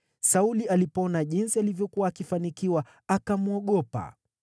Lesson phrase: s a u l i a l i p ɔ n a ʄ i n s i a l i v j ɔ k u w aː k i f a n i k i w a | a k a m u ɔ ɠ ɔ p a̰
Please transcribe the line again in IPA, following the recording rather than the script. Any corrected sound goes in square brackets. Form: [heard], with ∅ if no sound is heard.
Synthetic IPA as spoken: s a u l i a l i p ɔ n a ʄ i n s i a l i v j ɔ k u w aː k i f a n i k i w a | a k a m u ɔ ɠ ɔ p a̰